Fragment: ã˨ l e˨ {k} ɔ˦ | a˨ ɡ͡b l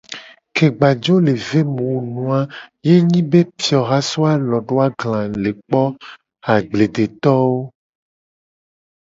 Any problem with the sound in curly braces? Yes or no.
yes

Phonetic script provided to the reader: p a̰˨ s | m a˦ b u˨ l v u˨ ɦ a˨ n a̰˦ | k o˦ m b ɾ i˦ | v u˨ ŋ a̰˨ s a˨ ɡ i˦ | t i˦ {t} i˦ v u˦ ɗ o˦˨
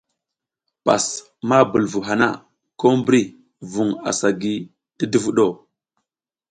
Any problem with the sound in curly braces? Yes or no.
yes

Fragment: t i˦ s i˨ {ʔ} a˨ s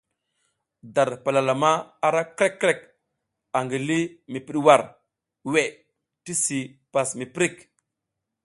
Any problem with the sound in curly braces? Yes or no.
yes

